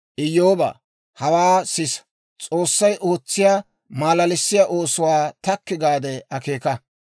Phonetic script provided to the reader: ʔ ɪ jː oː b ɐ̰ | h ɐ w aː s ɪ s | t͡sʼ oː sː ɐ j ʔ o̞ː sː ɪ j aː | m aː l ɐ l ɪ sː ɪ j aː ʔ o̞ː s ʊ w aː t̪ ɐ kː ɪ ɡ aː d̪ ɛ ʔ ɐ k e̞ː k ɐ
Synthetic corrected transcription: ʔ ɪ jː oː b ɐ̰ | h ɐ w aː s ɪ s | t͡sʼ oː sː ɐ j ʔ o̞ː t͡sː ɪ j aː | m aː l ɐ l ɪ sː ɪ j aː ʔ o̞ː s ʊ w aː t̪ ɐ kː ɪ ɡ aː d̪ ɛ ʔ ɐ k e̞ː k ɐ